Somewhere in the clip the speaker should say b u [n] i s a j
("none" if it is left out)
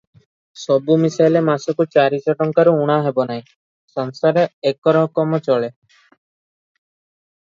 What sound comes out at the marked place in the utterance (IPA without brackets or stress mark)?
m